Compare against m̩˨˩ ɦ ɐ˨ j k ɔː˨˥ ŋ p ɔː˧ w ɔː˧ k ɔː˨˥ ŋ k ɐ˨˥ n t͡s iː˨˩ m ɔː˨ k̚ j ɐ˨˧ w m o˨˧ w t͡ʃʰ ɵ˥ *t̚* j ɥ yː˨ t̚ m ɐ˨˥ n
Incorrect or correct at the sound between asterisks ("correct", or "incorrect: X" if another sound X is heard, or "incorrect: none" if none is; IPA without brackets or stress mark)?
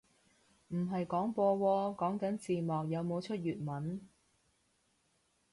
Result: correct